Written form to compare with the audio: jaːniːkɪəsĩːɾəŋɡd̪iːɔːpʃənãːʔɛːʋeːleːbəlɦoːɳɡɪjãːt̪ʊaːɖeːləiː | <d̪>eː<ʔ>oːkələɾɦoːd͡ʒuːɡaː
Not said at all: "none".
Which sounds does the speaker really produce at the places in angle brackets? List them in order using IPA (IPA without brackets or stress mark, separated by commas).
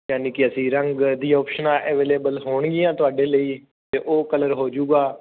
t̪, ʔ